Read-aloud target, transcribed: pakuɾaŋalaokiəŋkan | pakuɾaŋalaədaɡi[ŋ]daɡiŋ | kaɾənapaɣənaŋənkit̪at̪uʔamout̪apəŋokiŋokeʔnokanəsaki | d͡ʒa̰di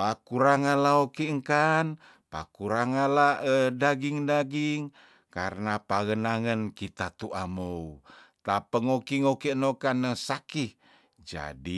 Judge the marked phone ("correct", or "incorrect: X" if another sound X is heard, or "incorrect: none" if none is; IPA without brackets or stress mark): correct